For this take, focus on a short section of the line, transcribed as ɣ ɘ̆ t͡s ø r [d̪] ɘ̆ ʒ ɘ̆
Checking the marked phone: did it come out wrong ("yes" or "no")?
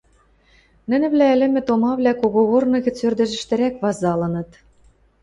no